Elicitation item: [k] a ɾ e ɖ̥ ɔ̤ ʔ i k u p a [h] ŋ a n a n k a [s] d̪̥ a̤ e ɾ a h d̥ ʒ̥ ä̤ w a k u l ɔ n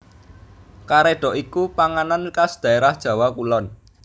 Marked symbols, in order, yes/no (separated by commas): yes, no, yes